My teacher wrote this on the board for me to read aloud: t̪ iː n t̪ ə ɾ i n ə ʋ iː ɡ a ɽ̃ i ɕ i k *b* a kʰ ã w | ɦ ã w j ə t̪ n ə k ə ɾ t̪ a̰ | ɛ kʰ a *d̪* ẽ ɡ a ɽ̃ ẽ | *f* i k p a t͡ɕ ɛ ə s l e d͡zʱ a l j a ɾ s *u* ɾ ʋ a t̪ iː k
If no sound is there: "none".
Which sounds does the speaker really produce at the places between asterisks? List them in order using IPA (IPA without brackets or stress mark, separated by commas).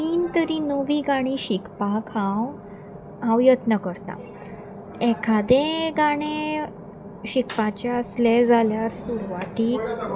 p, d̪, ɕ, u